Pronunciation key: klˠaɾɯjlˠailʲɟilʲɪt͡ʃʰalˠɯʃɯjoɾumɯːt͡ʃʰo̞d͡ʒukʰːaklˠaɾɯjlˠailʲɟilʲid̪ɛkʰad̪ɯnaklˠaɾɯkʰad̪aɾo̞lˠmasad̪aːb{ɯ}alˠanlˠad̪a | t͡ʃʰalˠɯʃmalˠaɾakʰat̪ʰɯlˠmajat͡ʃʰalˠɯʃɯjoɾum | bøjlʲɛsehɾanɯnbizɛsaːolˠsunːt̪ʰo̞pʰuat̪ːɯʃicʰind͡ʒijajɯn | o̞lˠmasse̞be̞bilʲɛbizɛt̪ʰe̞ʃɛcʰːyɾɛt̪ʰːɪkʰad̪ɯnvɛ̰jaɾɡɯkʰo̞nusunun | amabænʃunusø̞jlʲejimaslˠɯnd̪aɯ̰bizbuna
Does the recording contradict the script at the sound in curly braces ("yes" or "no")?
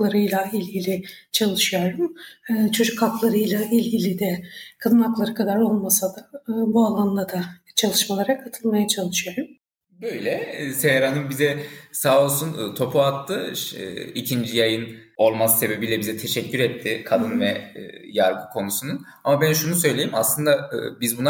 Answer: yes